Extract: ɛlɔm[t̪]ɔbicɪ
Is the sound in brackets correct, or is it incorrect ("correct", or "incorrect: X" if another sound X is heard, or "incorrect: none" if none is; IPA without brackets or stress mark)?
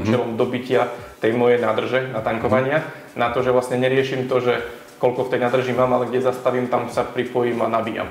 incorrect: d̪